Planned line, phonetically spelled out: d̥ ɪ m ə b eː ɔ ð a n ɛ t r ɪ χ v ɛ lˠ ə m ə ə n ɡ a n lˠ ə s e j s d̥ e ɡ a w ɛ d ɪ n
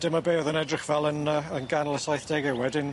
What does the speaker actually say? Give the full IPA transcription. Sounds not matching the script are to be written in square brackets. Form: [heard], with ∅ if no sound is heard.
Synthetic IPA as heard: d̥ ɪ m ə b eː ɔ ð [ə] n ɛ [d] r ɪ χ v ɛ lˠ ə [n] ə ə n ɡ a n lˠ ə s [a] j [θ] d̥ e ɡ [ɛ] w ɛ d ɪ n

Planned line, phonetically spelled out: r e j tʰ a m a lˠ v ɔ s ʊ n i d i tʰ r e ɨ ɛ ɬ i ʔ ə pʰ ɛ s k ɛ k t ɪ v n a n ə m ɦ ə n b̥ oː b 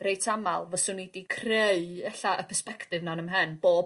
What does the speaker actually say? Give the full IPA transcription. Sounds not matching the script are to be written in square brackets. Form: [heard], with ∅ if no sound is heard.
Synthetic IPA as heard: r e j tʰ a m a lˠ v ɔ s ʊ n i d i [kʰ] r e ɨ ɛ ɬ [a] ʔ ə pʰ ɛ s [p] ɛ k t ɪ v n a n ə m ɦ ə n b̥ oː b

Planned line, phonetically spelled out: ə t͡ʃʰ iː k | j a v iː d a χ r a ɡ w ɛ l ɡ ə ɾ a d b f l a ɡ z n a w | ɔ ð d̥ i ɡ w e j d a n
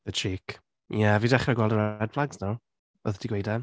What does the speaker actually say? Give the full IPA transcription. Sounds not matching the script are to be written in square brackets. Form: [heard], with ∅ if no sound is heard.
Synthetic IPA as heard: ə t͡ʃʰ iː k | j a v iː d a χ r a ɡ w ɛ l [d] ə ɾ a d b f l a ɡ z n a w | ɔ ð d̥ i ɡ w e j d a n

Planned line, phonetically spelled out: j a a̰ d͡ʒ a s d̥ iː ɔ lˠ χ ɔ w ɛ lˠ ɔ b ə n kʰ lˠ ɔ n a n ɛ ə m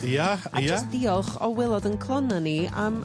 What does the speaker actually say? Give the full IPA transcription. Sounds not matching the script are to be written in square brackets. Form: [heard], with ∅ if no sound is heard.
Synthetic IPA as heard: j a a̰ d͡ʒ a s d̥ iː ɔ lˠ χ ɔ w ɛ lˠ ɔ [d] ə n kʰ lˠ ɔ n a n [i] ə m

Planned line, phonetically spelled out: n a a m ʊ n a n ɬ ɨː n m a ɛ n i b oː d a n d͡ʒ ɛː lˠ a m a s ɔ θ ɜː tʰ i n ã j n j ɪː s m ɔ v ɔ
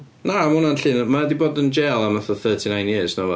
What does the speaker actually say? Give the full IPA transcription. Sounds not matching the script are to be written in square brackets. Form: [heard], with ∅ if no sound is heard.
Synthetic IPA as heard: n a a m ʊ n a n ɬ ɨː n m a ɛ [d] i b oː d [ə] n d͡ʒ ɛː lˠ a m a [θ] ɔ θ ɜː tʰ i n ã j n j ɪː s [n] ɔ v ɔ

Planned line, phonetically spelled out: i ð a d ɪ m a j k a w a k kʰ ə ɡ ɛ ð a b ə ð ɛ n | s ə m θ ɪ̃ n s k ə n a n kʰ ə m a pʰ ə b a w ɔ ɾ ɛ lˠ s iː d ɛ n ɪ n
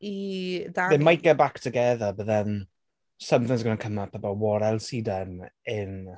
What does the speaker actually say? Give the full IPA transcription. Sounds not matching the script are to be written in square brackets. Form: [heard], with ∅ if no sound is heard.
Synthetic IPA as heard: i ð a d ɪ m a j k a [b] a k [tʰ] ə ɡ ɛ ð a b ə ð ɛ n | s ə m θ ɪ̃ [ŋ] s [ɡ] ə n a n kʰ ə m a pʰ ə b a w ɔ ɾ ɛ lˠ s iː d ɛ n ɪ n

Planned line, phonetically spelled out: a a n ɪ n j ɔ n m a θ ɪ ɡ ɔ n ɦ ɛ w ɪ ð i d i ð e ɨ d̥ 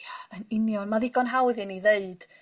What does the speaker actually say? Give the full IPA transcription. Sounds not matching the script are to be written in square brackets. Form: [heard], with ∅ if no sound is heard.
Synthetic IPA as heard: a [ə] n ɪ n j ɔ n m a [ð] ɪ ɡ ɔ n ɦ [a] w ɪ ð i [n] i ð e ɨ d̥

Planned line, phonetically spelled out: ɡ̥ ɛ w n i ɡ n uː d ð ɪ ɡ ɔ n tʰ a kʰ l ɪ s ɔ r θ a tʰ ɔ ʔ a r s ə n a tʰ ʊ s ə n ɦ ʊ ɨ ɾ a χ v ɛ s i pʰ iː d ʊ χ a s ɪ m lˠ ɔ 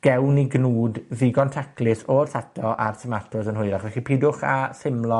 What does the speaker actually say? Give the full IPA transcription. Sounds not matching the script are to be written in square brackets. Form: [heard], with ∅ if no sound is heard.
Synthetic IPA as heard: ɡ̥ ɛ w n i ɡ n uː d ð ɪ ɡ ɔ n tʰ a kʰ l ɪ s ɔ r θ a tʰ ɔ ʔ a r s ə [m] a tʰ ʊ s ə n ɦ ʊ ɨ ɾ a χ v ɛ [χ] i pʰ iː d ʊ χ a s ɪ m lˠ ɔ

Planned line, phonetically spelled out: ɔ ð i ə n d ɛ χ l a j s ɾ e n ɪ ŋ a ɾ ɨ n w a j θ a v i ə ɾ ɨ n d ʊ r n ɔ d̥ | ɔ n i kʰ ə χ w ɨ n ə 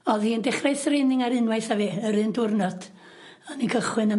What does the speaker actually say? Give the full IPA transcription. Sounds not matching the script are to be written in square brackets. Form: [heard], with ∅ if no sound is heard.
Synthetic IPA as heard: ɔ ð i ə n d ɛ χ [r] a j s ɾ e n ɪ ŋ a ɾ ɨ n w a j θ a v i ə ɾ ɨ n d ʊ r n ɔ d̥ | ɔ n i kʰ ə χ w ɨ n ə

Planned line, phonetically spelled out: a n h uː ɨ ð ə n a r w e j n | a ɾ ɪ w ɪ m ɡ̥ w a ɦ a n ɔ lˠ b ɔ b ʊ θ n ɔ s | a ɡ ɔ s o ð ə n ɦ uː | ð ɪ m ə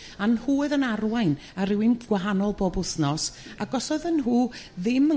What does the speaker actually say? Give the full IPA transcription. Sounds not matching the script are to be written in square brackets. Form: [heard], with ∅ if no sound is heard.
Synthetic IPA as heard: a n h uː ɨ ð ə n a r w [a] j n | a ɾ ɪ w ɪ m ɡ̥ w a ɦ a n ɔ lˠ b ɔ b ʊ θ n ɔ s | a ɡ ɔ s [ɔ] ð ə n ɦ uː | ð ɪ m ə

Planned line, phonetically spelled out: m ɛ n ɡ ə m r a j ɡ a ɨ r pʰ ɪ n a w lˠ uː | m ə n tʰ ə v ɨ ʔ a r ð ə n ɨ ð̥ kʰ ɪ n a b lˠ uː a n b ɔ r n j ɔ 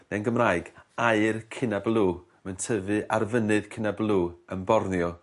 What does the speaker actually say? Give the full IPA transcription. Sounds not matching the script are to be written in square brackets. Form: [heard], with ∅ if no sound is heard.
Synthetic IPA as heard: [n] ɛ n ɡ ə m r a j ɡ a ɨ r [kʰ] ɪ n a [b] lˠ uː | m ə n tʰ ə v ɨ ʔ a r [v] ə n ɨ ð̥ kʰ ɪ n a b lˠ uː [ə] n b ɔ r n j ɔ

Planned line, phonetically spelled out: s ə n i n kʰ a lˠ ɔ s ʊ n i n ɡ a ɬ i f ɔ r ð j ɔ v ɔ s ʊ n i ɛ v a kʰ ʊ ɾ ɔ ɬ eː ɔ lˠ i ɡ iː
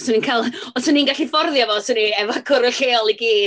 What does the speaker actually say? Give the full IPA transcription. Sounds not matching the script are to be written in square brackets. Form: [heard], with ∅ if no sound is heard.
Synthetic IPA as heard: s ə n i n kʰ a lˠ ɔ s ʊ n i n ɡ a ɬ i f ɔ r ð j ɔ v ɔ s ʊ n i ɛ v a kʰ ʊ ɾ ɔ ɬ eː ɔ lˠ i ɡ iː

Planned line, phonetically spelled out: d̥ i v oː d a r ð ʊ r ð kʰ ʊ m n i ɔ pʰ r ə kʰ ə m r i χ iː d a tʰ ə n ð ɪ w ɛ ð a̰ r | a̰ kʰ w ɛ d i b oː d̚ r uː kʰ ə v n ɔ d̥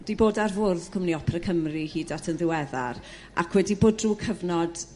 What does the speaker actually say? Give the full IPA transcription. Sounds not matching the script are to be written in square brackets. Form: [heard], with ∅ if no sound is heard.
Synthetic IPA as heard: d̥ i [b] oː d a r [v] ʊ r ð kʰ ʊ m n i ɔ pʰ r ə kʰ ə m r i [h] iː d a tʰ ə n ð ɪ w ɛ ð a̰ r | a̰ kʰ w ɛ d i b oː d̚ r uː kʰ ə v n ɔ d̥

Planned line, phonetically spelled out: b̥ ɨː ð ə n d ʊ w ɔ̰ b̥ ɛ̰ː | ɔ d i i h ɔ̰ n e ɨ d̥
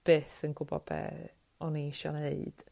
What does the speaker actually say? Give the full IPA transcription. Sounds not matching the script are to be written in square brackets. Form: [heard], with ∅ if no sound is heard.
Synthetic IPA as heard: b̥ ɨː [θ] ə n [ɡ] ʊ [b] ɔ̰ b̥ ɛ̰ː | ɔ [n] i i [ʃ] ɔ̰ n e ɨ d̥

